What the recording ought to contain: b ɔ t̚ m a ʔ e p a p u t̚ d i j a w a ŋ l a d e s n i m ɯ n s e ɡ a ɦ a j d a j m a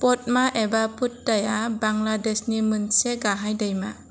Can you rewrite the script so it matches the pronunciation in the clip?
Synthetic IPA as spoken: p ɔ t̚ m a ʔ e b a p u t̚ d a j a b a ŋ l a d e s n i m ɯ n s e ɡ a ɦ a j d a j m a